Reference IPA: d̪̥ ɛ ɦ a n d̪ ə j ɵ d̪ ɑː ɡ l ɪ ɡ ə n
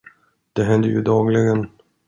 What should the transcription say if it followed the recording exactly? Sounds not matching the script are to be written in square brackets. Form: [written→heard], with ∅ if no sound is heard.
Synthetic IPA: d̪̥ ɛ ɦ [a→ɛ] n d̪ ə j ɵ d̪ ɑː ɡ l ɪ ɡ ə n

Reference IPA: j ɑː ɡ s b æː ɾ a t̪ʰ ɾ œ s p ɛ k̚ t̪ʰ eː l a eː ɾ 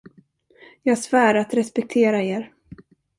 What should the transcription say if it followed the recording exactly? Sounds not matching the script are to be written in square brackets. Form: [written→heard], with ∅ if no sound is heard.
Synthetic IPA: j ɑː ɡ s [b→v] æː ɾ a [t̪ʰ→t̪] ɾ [œ→ɛ] s p ɛ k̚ t̪ʰ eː [l→ɾ] a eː ɾ

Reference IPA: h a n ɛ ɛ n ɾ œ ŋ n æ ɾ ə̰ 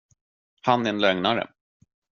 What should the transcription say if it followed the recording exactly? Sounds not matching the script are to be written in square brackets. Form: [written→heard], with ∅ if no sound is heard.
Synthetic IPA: h a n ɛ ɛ n [ɾ→l] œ ŋ n [æ→a] ɾ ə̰

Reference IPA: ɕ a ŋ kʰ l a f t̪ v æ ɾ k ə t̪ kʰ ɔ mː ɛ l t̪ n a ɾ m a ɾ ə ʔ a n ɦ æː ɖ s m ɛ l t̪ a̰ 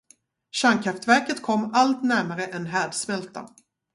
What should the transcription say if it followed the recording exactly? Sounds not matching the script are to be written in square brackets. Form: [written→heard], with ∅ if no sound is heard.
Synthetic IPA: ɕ a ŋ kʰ [l→ɾ] a f t̪ v æ ɾ k ə t̪ kʰ ɔ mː [ɛ→a] l t̪ n [a→æ] ɾ m a ɾ ə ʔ [a→ɛ] n ɦ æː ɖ s m ɛ l t̪ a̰

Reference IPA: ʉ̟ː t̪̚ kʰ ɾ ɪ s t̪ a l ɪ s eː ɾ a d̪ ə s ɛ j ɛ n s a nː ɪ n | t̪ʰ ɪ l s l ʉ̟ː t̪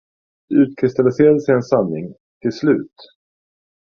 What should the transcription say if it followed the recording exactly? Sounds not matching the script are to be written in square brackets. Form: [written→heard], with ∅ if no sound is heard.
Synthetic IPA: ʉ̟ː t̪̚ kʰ ɾ ɪ s t̪ a l ɪ s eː ɾ a d̪ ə s ɛ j ɛ n s a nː ɪ [n→ŋ] | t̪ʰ ɪ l s l ʉ̟ː t̪

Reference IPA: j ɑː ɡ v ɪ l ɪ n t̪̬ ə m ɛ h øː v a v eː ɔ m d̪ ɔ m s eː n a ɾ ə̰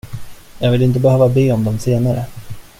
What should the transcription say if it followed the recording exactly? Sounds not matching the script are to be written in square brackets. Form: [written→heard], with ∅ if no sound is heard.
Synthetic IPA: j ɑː ɡ v ɪ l ɪ n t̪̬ ə [m→b] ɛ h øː v a [v→b] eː ɔ m d̪ ɔ m s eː n a ɾ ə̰

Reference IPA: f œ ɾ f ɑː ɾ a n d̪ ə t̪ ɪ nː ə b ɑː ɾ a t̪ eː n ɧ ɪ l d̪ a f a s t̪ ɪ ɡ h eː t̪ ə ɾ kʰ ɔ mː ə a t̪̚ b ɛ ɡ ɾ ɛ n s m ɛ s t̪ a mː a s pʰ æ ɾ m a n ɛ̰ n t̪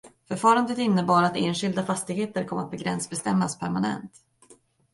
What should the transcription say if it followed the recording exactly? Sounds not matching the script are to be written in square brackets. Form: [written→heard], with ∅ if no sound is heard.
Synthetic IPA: f œ ɾ f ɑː ɾ a n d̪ ə t̪ ɪ nː ə b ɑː ɾ a t̪ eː n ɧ ɪ l d̪ a f a s t̪ ɪ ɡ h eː t̪ ə ɾ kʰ ɔ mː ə a t̪̚ b ɛ ɡ ɾ ɛ n s [m→b] ɛ s t̪ [a→ɛ] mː a s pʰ æ ɾ m a n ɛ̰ n t̪

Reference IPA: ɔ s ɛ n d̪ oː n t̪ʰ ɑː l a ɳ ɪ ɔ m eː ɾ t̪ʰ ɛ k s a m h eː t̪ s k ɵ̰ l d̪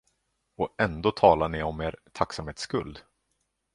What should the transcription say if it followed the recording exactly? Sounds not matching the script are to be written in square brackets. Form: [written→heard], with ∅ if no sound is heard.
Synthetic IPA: ɔ [s→∅] ɛ n d̪ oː [n→∅] t̪ʰ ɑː l a ɳ ɪ ɔ m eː ɾ t̪ʰ [ɛ→a] k s a m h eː t̪ s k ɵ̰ l d̪

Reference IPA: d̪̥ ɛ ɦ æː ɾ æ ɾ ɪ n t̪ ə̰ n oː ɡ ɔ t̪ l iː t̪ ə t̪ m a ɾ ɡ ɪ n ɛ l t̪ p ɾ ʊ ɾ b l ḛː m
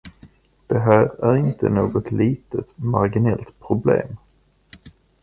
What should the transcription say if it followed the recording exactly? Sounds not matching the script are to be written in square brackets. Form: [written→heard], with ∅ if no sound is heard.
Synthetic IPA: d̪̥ ɛ ɦ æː ɾ æ ɾ ɪ n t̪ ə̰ n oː ɡ ɔ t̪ l iː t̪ ə t̪ m a ɾ ɡ ɪ n ɛ l t̪ [p→pʰ] ɾ ʊ [ɾ→∅] b l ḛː m

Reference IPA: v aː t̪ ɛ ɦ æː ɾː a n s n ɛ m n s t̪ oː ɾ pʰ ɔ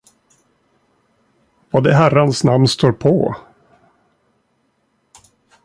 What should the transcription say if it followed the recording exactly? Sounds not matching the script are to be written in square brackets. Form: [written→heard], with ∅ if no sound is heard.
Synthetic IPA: v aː [t̪→d̪] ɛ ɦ [æː→æ] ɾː a n s n [ɛ→a] m n s t̪ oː ɾ pʰ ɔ

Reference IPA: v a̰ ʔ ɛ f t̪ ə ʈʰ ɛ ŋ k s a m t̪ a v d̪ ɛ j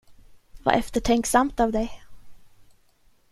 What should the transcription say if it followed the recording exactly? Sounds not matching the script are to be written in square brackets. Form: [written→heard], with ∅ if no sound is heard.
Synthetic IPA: v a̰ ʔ ɛ f t̪ ə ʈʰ ɛ ŋ k s a m t̪ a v d̪ ɛ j

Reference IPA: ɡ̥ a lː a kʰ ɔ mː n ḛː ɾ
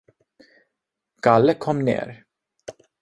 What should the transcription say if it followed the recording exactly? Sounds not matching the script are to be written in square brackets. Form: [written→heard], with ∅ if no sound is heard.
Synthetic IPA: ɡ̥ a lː [a→ə] kʰ ɔ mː n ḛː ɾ

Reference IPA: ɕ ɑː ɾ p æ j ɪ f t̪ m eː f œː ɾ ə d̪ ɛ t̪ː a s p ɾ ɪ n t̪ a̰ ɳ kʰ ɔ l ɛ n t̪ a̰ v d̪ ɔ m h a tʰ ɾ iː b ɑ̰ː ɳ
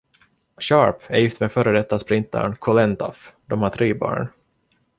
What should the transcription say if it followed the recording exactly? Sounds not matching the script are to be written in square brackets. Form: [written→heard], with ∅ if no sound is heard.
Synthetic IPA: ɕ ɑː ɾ p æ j ɪ f t̪ m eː f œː ɾ ə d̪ ɛ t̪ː a s p ɾ ɪ n t̪ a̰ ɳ kʰ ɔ l ɛ n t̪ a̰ [v→f] d̪ ɔ m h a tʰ ɾ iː b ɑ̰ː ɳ

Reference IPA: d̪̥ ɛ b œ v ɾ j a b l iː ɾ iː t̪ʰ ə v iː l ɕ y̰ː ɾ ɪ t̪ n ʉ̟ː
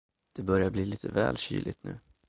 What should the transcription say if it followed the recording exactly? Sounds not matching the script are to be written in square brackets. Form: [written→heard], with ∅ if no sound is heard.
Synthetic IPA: d̪̥ ɛ b œ [v→∅] ɾ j a b l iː [ɾ→l] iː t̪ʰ ə v [iː→ɛː] l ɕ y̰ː [ɾ→l] ɪ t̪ n ʉ̟ː

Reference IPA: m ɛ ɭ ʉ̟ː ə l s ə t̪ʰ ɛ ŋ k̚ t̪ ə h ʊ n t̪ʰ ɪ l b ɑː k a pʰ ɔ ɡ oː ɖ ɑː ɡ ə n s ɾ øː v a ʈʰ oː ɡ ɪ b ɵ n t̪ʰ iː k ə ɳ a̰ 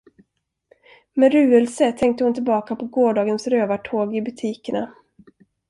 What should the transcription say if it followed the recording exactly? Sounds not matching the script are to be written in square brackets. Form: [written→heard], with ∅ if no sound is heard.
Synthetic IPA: m ɛ [ɭ→ɾ] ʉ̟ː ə l s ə t̪ʰ ɛ ŋ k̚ t̪ ə h ʊ n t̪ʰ ɪ l b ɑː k a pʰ ɔ ɡ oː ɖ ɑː ɡ ə n s ɾ øː v a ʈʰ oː ɡ ɪ b ɵ [n→∅] t̪ʰ iː k ə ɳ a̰

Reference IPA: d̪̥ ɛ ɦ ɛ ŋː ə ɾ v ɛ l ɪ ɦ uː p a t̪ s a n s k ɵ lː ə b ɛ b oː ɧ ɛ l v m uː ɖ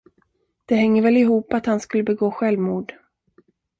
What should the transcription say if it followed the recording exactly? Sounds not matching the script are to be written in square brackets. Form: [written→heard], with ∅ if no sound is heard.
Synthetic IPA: d̪̥ ɛ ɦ ɛ ŋː ə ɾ v ɛ l ɪ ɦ uː p a t̪ [s→h] a n s k ɵ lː ə b ɛ [b→ɡ] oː ɧ ɛ l v m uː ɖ

